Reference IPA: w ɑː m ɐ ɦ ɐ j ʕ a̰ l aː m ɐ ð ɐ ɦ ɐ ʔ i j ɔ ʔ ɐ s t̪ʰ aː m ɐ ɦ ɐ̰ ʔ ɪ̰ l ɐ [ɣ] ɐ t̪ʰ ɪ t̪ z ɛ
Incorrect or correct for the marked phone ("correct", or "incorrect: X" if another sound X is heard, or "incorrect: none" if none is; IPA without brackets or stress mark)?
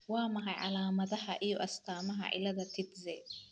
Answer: incorrect: ð